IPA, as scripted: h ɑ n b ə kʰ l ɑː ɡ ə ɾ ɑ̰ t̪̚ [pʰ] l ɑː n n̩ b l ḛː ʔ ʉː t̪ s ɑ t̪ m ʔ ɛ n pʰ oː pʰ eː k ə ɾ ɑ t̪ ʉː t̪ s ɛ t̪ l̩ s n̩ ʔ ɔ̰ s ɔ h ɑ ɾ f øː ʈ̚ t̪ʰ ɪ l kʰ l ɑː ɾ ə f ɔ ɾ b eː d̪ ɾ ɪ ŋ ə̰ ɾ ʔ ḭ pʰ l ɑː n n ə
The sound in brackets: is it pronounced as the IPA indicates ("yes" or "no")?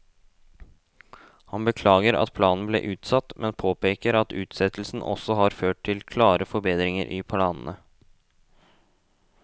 yes